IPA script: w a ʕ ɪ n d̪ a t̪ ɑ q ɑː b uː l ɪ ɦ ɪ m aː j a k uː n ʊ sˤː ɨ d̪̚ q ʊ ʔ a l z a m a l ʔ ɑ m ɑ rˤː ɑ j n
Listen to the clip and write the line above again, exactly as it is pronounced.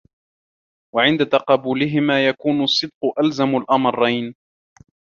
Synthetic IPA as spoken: w a ʕ ɪ n d̪ a t̪ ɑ q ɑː b uː l ɪ ɦ ɪ m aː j a k uː n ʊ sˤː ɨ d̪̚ q ʊ ʔ a l z a m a l ʔ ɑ m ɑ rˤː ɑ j n